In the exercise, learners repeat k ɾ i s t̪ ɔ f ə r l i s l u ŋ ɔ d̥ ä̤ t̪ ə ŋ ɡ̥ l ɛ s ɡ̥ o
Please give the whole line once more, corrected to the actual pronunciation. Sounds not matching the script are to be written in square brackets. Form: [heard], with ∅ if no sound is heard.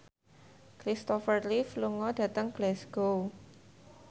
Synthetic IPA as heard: k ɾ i s t̪ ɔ f ə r l i [f] l u ŋ ɔ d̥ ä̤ t̪ ə ŋ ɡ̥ l ɛ s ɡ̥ o